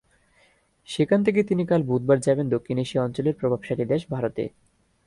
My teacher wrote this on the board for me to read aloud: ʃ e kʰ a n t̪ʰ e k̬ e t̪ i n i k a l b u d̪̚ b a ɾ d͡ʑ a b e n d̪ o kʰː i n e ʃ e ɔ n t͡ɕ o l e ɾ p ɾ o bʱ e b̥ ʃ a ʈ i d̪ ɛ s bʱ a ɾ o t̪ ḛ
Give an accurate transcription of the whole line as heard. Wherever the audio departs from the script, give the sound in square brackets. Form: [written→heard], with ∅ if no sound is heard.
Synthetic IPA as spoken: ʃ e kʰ a n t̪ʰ e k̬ e t̪ i n i k a l b u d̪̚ b a ɾ d͡ʑ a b e n d̪ o kʰː i n e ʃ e ɔ n t͡ɕ o l e ɾ p ɾ o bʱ [e→a] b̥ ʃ a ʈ i d̪ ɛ [s→ʃ] bʱ a ɾ o t̪ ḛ